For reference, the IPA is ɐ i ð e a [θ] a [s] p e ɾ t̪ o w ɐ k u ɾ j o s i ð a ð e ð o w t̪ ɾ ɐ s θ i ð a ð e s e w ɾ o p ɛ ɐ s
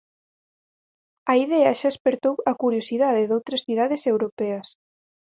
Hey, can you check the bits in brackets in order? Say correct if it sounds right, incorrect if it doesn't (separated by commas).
incorrect, correct